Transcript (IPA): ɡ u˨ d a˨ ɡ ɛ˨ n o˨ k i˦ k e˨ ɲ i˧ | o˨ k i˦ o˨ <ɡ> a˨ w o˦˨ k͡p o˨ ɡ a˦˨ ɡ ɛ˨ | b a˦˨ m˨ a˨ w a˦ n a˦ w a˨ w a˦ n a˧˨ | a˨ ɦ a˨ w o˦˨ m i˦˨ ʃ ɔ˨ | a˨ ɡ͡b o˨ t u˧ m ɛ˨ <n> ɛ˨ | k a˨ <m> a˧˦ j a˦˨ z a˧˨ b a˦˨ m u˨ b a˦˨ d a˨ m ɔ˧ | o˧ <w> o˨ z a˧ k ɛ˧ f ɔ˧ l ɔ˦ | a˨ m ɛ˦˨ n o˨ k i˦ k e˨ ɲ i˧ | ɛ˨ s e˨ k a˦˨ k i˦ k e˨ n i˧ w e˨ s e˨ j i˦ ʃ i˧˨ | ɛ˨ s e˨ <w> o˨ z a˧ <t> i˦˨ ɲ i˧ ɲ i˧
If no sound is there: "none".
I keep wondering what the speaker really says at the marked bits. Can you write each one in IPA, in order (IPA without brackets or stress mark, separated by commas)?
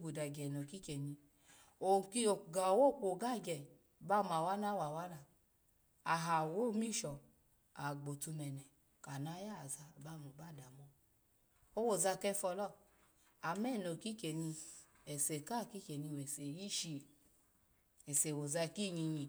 ɡ, n, n, w, w, k